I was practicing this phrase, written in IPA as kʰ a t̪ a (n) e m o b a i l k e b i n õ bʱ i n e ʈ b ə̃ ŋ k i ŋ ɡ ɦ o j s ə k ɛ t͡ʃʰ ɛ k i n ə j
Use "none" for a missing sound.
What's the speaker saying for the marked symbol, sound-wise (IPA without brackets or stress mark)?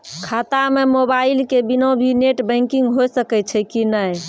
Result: m